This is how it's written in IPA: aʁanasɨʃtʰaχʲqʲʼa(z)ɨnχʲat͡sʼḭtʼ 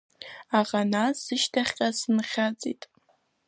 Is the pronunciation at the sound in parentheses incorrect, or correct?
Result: incorrect